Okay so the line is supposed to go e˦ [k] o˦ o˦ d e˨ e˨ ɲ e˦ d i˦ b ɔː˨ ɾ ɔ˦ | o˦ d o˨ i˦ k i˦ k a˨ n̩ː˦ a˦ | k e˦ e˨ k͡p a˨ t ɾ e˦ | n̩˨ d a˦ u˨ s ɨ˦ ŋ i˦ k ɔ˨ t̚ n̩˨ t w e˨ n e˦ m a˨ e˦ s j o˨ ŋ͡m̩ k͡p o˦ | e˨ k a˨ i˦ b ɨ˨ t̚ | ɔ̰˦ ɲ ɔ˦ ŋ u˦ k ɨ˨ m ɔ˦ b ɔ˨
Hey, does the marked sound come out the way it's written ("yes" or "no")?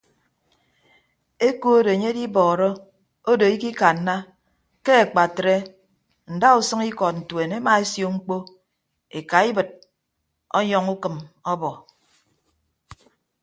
yes